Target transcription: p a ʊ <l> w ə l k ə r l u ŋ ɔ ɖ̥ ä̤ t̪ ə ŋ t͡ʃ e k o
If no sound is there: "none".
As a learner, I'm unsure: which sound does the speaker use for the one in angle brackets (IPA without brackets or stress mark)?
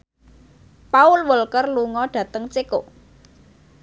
l